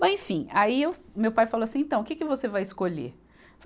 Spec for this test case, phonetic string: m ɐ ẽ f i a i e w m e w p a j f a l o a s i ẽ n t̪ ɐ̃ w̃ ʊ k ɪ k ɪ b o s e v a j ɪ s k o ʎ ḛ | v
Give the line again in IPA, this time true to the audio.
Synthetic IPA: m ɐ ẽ f ĩ a i e w m e w p a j f a l o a s ĩ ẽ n t̪ ɐ̃ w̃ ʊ k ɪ k ɪ v o s e v a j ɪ s k o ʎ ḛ | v